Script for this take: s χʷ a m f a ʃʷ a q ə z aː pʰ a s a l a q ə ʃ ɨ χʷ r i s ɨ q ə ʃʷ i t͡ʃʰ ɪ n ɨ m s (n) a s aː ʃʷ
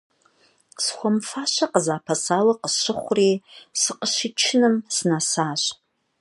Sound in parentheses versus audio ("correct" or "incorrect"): correct